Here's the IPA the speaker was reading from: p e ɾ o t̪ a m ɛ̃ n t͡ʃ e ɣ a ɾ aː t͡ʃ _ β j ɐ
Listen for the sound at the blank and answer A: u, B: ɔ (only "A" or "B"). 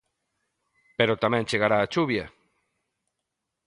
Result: A